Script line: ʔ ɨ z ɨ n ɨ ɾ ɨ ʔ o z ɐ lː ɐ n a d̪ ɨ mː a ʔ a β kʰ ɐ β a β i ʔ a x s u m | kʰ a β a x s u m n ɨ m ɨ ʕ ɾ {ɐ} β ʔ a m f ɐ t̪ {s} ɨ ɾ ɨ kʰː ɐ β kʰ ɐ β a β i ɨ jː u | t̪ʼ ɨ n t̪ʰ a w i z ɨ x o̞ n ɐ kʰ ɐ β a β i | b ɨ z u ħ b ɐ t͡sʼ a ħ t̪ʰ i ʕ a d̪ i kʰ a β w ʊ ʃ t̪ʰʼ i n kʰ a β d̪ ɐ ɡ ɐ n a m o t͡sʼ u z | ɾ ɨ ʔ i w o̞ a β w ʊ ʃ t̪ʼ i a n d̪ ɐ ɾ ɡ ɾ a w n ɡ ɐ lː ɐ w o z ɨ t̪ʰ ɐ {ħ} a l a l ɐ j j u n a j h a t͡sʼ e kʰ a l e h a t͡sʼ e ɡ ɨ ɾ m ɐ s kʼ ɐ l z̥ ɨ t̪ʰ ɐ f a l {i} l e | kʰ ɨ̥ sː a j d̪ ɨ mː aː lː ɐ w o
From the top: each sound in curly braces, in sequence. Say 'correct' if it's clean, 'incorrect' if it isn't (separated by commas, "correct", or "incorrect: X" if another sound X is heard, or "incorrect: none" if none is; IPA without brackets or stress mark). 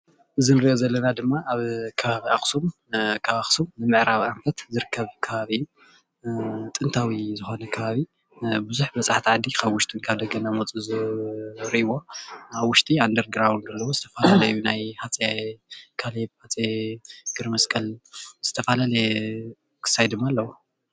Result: incorrect: a, incorrect: z, incorrect: f, incorrect: a